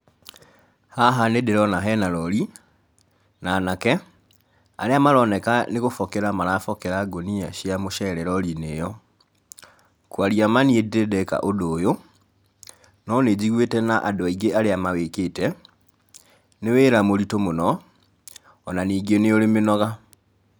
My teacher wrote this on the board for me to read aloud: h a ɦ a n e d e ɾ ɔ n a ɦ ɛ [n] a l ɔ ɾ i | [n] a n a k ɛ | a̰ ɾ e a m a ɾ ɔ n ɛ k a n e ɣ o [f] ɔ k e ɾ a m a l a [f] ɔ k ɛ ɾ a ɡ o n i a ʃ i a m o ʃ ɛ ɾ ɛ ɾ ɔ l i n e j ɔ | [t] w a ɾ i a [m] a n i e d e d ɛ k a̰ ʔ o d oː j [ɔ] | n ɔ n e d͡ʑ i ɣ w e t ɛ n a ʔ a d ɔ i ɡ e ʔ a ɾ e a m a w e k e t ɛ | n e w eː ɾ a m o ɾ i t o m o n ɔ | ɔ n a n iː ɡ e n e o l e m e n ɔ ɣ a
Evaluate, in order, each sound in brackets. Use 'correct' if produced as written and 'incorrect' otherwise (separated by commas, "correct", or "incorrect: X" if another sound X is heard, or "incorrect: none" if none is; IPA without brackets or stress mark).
correct, correct, correct, correct, incorrect: k, correct, incorrect: o